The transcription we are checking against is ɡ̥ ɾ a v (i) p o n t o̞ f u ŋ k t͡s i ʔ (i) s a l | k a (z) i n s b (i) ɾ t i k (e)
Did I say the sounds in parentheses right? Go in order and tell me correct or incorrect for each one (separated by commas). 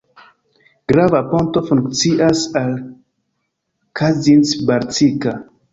incorrect, incorrect, correct, incorrect, incorrect